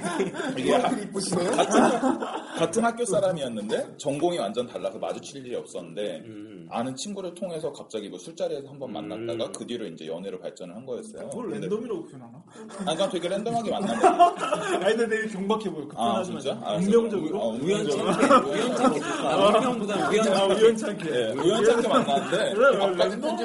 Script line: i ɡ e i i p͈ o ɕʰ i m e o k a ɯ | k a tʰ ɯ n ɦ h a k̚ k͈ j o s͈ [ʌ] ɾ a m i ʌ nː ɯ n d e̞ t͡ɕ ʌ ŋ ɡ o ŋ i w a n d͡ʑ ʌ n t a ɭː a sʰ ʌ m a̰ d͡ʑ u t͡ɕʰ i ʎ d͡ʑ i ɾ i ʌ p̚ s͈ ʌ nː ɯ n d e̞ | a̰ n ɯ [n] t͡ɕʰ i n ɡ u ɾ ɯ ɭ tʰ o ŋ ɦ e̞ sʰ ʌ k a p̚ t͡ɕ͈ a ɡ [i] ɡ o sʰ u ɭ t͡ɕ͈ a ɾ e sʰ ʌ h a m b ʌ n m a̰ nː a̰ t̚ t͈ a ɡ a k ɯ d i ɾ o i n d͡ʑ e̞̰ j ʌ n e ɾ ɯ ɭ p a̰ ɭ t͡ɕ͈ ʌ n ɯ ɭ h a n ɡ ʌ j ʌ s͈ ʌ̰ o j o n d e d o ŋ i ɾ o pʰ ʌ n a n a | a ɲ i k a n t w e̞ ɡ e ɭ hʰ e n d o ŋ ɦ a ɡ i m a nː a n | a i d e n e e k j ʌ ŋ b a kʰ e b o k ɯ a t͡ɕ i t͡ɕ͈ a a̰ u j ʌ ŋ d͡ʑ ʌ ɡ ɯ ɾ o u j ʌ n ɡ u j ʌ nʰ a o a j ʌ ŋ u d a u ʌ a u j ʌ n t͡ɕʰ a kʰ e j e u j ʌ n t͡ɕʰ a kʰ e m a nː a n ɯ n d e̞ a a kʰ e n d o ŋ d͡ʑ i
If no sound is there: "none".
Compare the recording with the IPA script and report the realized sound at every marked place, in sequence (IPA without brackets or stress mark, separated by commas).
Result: a, n, i